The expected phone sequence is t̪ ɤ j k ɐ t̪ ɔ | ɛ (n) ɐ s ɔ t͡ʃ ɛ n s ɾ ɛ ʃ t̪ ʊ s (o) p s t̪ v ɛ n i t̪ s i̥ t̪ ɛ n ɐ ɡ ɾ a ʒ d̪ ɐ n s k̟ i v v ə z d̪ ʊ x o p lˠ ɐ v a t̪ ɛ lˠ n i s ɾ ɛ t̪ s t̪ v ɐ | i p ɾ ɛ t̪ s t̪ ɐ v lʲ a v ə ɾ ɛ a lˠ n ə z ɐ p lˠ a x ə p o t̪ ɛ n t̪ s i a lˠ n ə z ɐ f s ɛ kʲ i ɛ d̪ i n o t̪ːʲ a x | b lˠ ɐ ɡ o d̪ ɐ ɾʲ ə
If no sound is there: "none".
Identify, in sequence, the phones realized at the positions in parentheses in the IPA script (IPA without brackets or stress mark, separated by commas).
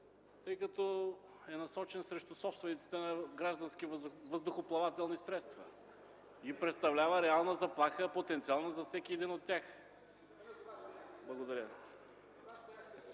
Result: n, ɔ